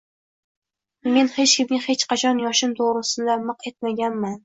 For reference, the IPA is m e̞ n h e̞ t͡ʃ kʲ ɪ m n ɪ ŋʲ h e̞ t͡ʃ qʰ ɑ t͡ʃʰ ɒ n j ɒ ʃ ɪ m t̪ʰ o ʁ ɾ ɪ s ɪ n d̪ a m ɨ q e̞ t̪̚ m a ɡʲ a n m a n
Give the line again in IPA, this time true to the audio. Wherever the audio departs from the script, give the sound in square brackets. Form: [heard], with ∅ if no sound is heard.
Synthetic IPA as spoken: m e̞ n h e̞ t͡ʃ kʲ ɪ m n ɪ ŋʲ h e̞ t͡ʃ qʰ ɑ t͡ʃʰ ɒ n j ɒ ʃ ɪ m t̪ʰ o ʁ ɾ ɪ s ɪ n d̪ a m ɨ q e̞ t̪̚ m a ɡʲ a n m a n